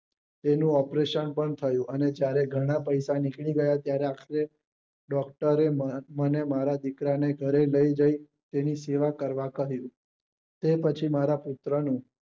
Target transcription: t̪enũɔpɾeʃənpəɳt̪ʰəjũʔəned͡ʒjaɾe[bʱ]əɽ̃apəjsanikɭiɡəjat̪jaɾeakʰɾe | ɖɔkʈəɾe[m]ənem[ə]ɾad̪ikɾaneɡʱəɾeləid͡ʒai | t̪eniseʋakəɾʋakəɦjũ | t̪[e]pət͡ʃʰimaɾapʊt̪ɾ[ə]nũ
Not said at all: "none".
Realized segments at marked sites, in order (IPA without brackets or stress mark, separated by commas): ɡʱ, m, a, e, ə